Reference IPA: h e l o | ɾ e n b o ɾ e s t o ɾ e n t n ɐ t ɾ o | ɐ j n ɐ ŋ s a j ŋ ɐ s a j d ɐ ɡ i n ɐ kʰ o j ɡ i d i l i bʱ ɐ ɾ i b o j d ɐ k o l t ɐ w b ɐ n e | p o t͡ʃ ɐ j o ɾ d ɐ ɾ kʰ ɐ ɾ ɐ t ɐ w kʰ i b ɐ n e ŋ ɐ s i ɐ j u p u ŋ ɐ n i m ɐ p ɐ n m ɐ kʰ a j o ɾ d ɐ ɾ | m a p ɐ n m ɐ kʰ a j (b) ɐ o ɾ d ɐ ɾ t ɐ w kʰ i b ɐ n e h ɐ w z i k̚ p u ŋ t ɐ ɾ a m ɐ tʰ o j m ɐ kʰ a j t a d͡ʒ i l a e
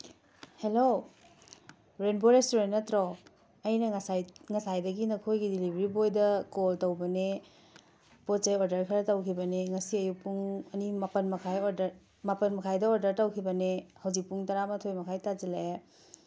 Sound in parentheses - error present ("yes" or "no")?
yes